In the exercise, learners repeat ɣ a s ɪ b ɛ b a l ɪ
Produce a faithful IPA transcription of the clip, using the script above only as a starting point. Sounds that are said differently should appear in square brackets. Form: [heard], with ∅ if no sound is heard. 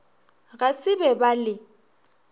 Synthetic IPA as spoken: ɣ a s ɪ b ɛ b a l ɪ

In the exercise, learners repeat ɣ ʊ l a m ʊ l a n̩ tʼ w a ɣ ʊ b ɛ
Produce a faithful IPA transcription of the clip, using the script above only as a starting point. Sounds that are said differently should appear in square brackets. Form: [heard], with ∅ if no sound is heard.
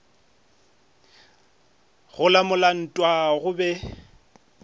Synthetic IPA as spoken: ɣ ʊ l a m ʊ l a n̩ tʼ w a ɣ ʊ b ɛ

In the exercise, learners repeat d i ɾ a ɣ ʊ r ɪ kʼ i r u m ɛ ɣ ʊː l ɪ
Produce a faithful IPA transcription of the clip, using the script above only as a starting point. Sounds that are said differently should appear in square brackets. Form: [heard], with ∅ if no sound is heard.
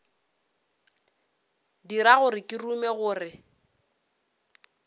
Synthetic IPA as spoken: d i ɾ a ɣ ʊ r ɪ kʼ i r u m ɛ ɣ ʊː [r] ɪ

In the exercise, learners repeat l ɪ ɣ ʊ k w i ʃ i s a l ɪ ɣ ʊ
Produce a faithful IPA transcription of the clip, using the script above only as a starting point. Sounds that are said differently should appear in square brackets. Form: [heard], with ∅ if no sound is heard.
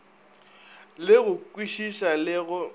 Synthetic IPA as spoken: l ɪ ɣ ʊ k w i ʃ i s a l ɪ ɣ ʊ

